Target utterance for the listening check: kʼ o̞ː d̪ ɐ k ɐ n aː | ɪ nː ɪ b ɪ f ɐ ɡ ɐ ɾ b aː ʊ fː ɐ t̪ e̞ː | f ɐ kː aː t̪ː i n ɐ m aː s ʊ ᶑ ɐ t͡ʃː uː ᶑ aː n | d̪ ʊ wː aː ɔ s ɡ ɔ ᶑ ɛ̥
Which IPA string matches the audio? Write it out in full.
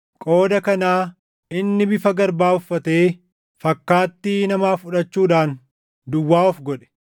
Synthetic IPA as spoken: kʼ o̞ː d̪ ɐ k ɐ n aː | ɪ nː ɪ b ɪ f ɐ ɡ ɐ ɾ b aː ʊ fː ɐ t̪ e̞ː | f ɐ kː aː t̪ː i n ɐ m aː f ʊ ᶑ ɐ t͡ʃː uː ᶑ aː n | d̪ ʊ wː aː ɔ f ɡ ɔ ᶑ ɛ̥